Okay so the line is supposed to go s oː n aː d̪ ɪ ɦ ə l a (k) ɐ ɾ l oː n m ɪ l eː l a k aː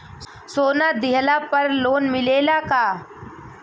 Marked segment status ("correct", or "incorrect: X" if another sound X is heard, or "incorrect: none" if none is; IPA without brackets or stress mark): incorrect: p